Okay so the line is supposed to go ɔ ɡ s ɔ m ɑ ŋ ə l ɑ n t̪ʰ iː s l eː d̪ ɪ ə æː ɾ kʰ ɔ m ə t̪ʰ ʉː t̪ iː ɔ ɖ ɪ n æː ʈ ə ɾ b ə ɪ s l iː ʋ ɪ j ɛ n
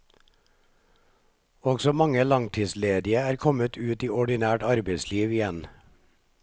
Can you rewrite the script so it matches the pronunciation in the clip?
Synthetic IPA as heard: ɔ ɡ s ɔ m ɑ ŋ ə l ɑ ŋ t̪ʰ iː s l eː d̪ ɪ ə æː ɾ kʰ ɔ m ə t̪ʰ ʉː t̪ iː ɔ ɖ ɪ n æː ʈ ɑ ɾ b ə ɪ s l iː ʋ ɪ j ɛ n